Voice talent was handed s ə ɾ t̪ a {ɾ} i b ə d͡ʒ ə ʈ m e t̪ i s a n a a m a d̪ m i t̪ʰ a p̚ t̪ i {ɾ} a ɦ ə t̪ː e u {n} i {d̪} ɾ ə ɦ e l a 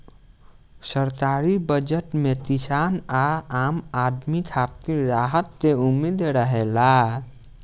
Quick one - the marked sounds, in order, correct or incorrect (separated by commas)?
correct, correct, incorrect, correct